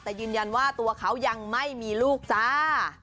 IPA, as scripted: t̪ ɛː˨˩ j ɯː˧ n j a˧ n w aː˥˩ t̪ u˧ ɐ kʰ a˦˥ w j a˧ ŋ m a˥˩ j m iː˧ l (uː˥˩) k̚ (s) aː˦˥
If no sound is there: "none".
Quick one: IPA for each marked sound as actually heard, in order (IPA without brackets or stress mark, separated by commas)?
uː˥˩, s